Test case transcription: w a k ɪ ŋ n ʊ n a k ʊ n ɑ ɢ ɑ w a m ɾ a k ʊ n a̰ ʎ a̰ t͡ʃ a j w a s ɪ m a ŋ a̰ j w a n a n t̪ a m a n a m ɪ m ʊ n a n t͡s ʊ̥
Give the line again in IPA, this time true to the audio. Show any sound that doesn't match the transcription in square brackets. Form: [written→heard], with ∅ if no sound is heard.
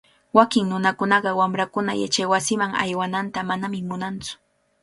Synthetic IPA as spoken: w a k ɪ ŋ n ʊ n a k ʊ n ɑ ɢ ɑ w a m ɾ a k ʊ n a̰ [ʎ→j] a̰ t͡ʃ a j w a s ɪ m a ŋ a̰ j w a n a n t̪ a m a n a m ɪ m ʊ n a n t͡s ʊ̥